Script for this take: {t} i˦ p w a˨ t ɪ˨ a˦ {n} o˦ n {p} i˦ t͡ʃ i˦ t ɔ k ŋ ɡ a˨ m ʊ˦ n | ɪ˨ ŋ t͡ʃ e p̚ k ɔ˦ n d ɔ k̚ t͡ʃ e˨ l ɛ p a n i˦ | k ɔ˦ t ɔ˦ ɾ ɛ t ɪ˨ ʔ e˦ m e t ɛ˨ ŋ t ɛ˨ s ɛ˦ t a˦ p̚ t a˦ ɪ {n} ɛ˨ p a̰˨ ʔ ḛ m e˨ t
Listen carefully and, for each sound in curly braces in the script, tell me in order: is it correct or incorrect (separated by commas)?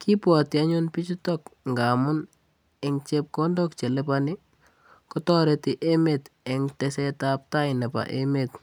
incorrect, incorrect, correct, correct